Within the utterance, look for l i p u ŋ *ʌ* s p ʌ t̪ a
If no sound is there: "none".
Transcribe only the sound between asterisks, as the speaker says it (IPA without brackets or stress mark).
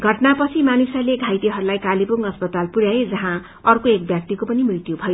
ʌ